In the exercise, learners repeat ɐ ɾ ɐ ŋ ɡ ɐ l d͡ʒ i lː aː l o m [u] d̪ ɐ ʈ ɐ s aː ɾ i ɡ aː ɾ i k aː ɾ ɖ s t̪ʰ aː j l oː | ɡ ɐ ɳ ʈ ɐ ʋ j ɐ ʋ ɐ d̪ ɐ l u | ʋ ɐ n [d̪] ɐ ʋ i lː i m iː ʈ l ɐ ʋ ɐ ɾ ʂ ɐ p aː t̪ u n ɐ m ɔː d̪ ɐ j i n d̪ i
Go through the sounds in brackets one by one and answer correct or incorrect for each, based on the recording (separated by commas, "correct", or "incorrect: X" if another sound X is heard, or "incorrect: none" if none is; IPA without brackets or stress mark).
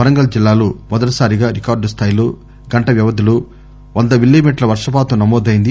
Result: incorrect: ɔ, correct